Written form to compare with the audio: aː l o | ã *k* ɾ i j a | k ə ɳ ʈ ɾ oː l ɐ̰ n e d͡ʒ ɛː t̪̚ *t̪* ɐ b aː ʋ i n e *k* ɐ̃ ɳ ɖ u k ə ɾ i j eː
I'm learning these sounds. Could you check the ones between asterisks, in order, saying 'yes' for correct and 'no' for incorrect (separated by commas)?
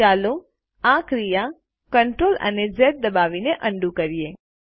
yes, no, no